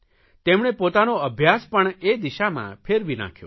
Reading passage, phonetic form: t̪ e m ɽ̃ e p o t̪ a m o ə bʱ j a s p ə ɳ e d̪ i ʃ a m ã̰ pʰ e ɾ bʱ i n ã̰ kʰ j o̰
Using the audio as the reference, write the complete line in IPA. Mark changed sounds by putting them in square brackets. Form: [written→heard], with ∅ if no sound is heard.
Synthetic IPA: t̪ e m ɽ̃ e p o t̪ a [m→n] o ə bʱ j a s p ə ɳ e d̪ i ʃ a m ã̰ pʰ e ɾ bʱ i n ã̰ kʰ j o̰